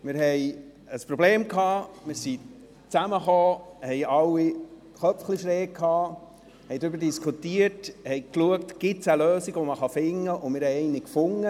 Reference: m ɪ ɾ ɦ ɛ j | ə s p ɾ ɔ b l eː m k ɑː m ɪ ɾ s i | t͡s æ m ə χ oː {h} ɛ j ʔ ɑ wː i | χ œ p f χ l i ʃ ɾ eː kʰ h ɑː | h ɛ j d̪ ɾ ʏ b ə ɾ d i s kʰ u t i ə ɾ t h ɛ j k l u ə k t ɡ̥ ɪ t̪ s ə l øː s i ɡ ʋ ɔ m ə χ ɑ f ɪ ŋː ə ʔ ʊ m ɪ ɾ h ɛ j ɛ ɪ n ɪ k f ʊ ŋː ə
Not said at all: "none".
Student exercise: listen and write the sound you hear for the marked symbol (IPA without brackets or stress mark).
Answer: h